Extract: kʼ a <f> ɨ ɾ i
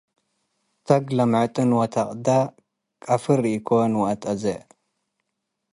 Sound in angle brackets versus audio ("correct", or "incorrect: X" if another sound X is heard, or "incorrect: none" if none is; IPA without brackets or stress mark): correct